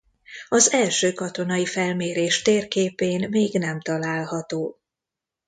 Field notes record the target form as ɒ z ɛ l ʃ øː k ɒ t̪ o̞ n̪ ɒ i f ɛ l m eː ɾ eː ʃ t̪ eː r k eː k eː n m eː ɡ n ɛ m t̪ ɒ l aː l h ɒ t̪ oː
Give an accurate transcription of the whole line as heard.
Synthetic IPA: ɒ z ɛ l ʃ øː k ɒ t̪ o̞ n̪ ɒ i f ɛ l m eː ɾ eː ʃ t̪ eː r k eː p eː n m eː ɡ n ɛ m t̪ ɒ l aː l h ɒ t̪ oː